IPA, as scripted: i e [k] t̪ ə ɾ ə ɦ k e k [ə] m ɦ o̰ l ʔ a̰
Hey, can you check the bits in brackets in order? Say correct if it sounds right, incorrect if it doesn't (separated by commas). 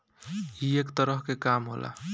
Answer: correct, incorrect